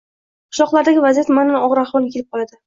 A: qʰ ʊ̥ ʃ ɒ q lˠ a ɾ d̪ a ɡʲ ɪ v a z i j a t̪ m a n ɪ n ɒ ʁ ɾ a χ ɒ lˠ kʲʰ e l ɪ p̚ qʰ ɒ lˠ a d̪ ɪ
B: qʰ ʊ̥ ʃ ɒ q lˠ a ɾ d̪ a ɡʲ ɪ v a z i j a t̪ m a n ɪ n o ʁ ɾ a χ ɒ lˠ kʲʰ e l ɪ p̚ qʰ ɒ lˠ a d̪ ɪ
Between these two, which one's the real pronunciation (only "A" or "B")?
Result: A